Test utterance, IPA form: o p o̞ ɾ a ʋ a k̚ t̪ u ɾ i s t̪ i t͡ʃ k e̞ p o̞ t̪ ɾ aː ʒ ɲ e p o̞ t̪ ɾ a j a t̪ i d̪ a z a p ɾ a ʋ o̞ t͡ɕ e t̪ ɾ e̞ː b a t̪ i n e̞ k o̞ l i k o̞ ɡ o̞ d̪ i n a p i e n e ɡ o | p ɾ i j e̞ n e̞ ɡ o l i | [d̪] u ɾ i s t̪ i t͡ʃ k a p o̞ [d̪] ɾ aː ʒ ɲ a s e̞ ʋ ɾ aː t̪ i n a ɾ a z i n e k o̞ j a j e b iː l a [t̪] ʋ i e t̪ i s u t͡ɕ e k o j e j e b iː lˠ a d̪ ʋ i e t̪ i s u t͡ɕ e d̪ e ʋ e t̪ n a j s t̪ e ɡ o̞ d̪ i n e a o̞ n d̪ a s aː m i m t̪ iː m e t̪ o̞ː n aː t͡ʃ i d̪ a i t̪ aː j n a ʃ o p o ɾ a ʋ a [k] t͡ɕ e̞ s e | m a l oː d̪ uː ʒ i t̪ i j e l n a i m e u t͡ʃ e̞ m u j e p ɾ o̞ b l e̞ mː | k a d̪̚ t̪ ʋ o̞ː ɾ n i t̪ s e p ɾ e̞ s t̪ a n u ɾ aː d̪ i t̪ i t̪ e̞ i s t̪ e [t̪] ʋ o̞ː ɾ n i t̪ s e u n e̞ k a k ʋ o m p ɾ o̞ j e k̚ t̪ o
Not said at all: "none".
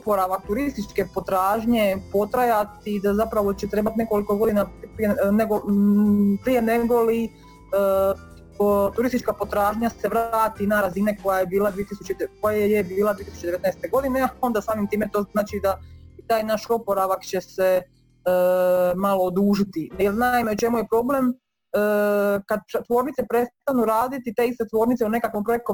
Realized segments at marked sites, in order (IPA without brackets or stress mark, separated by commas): t̪, t̪, d̪, k, t̪